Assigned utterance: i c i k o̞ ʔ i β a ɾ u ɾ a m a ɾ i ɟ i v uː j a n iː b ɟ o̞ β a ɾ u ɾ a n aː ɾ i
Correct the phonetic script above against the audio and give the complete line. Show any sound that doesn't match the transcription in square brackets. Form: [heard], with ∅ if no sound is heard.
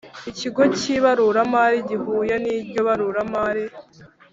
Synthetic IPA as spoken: i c i [ɡ] o̞ [c] i β a ɾ u ɾ a m a ɾ i ɟ i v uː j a n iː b ɟ o̞ β a ɾ u ɾ a [m] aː ɾ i